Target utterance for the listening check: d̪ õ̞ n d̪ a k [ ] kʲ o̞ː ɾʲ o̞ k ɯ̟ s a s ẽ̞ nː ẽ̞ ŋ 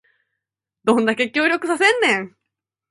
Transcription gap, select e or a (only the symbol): e